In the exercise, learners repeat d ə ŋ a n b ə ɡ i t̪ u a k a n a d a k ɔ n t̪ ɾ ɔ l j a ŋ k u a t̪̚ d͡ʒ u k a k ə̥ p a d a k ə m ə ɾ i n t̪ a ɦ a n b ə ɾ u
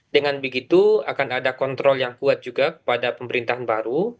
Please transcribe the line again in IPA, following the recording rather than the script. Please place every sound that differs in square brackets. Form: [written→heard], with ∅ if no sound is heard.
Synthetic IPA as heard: d ə ŋ a n b ə ɡ i t̪ u a k a n a d a k ɔ n t̪ ɾ ɔ l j a ŋ k u a t̪̚ d͡ʒ u [k→ɡ] a k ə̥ p a d a [k→p] ə m ə ɾ i n t̪ a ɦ a n b [ə→a] ɾ u